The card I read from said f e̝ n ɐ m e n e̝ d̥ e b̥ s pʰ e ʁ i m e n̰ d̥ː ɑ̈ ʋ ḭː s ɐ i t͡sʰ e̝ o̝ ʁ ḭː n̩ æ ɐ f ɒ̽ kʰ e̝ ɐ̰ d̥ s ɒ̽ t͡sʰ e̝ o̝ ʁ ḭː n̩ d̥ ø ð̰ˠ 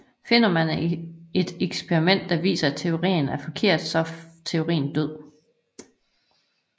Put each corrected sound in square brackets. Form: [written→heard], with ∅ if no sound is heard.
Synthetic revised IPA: f e̝ n ɐ m [e→æ] n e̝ d̥ e [b̥→ɡ̥] s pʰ e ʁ i m e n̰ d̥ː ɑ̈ ʋ ḭː s ɐ [i→æ] t͡sʰ e̝ o̝ ʁ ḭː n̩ æ ɐ f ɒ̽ kʰ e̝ ɐ̰ d̥ s ɒ̽ t͡sʰ e̝ o̝ ʁ ḭː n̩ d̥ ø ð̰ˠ